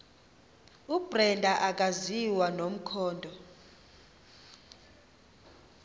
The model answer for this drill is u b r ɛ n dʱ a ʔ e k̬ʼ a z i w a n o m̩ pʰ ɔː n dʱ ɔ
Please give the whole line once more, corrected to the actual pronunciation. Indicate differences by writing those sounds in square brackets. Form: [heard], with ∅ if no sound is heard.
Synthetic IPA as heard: u b r ɛ n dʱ a ʔ [a] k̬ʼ a z i w a n o m̩ [kʰ] ɔː n dʱ ɔ